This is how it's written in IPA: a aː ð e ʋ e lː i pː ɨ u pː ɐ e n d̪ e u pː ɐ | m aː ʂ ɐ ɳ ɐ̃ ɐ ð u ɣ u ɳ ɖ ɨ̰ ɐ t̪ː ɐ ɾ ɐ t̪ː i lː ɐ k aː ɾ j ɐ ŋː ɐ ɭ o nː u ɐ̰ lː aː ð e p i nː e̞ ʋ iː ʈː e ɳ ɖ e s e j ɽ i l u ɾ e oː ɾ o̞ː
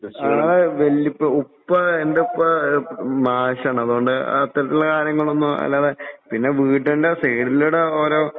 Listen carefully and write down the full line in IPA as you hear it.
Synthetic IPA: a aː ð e ʋ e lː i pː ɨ u pː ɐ e n d̪ e u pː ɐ | m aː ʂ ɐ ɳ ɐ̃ ɐ ð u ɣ o ɳ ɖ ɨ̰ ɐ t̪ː ɐ ɾ ɐ t̪ː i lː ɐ k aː ɾ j ɐ ŋː ɐ ɭ o nː u ɐ̰ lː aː ð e p i nː e̞ ʋ iː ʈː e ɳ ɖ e s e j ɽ i l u ɽ e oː ɾ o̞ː